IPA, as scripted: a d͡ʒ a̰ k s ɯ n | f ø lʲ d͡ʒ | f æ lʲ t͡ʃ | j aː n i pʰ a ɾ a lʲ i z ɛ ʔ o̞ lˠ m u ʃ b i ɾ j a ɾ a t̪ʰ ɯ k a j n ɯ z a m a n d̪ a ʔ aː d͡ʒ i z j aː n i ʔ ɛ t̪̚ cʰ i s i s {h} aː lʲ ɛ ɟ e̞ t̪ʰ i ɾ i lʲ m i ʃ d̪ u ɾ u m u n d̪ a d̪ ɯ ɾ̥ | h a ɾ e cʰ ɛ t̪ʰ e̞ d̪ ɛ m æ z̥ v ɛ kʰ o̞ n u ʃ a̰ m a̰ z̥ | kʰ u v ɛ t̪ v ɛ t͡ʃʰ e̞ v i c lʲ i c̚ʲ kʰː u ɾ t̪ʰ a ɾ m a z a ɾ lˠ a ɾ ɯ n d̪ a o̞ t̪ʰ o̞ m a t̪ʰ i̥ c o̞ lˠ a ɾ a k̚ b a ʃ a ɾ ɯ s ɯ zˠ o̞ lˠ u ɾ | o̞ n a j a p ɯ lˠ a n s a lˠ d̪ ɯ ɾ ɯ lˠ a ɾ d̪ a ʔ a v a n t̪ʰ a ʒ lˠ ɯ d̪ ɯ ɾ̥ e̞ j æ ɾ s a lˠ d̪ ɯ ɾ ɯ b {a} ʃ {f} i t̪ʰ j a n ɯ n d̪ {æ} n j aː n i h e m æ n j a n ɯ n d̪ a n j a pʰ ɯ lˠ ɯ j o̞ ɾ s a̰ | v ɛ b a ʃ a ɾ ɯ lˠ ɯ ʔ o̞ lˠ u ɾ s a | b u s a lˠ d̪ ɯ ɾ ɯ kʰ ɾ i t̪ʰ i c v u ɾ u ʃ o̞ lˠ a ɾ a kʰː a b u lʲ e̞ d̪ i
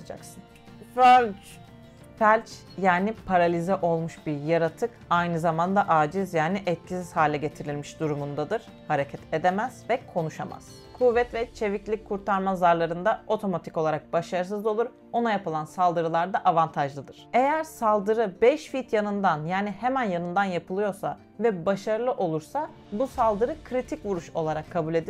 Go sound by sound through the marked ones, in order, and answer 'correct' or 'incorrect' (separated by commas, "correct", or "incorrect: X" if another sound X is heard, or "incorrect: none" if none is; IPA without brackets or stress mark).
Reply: correct, incorrect: ɛ, correct, incorrect: a